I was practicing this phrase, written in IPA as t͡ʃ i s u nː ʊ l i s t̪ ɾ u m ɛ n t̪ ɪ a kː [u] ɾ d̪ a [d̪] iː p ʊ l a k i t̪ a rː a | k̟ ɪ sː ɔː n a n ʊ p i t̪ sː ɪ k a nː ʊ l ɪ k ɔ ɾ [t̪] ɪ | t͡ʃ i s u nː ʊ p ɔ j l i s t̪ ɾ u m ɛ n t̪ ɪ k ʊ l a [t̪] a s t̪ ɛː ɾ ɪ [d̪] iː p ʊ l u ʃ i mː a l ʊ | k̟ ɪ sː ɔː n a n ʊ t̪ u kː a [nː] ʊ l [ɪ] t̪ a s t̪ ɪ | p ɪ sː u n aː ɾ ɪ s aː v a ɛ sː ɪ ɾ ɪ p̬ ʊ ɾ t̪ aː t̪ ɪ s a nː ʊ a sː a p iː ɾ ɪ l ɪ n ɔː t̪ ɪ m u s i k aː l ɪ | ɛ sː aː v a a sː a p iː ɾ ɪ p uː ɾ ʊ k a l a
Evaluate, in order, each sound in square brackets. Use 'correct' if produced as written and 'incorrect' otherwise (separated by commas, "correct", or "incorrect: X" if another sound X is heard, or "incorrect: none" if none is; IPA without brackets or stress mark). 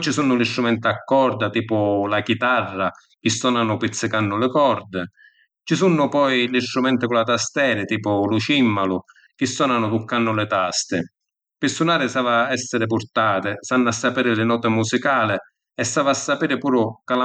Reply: incorrect: ɔ, incorrect: t̪, incorrect: d̪, correct, incorrect: t̪, correct, correct